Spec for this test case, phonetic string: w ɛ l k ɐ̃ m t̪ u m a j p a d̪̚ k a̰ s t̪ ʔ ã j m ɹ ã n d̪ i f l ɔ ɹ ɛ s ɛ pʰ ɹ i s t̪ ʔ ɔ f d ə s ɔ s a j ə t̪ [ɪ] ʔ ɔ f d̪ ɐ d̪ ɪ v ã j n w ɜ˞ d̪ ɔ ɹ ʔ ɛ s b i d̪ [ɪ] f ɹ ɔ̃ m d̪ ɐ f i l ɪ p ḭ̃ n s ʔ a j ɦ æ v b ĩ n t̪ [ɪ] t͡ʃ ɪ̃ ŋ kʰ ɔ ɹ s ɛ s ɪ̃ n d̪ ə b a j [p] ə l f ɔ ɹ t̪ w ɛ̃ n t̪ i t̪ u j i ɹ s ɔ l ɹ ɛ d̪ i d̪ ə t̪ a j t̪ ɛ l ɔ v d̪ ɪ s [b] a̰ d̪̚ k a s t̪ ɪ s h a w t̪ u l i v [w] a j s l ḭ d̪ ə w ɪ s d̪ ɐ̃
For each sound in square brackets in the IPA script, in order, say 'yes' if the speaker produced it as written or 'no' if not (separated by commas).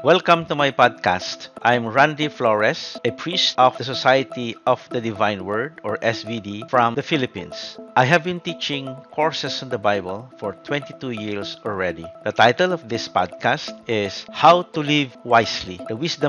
no, no, no, no, no, yes